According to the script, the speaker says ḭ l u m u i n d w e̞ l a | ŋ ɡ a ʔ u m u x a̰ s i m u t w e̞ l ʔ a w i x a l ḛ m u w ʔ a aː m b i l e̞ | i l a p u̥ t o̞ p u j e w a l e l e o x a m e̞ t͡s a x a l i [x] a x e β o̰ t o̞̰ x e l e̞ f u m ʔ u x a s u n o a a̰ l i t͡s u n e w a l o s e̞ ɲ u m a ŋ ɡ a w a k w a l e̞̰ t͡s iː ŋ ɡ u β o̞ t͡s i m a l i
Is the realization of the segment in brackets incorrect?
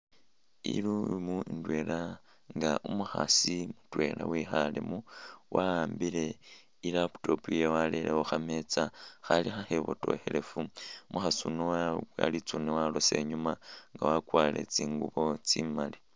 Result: no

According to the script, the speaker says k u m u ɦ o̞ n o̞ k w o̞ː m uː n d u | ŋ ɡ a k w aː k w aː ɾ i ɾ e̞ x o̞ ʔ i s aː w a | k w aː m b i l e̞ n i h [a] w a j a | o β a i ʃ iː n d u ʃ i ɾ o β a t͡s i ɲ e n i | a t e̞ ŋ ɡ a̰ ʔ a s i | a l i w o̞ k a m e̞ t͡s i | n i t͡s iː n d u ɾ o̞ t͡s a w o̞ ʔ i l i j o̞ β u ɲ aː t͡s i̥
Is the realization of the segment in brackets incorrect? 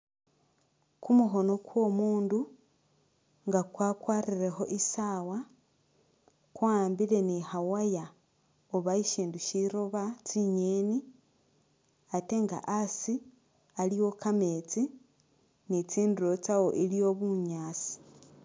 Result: no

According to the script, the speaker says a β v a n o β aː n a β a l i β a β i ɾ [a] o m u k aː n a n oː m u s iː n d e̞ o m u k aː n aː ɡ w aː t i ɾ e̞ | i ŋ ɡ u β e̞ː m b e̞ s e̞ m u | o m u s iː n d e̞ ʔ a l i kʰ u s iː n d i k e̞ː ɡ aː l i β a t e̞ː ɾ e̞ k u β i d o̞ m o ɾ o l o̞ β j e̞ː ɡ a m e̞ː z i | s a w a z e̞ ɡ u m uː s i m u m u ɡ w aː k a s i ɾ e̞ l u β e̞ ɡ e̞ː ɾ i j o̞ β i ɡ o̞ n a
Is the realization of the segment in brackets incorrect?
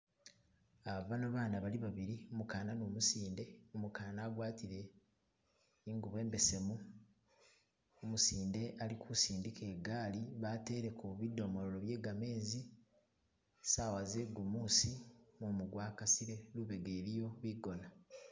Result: yes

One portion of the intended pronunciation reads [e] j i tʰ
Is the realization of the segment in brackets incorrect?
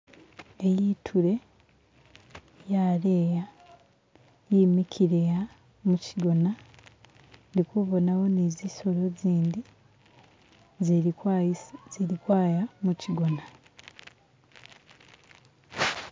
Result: no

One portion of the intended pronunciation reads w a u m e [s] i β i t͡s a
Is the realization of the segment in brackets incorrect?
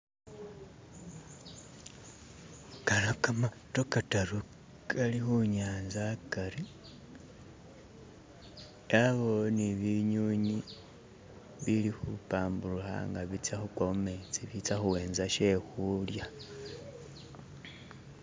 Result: yes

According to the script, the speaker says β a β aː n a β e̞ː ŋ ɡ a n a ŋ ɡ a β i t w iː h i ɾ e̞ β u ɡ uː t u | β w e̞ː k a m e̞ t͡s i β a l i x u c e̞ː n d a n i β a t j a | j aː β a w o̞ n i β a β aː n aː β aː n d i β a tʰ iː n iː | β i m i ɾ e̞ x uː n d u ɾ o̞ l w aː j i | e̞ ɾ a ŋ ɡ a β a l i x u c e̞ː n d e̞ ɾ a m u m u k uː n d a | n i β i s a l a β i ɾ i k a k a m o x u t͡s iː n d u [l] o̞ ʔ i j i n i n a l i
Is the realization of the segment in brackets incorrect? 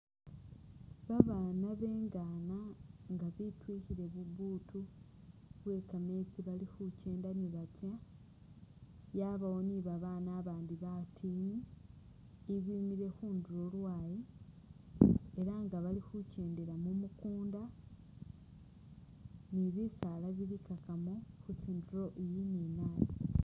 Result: yes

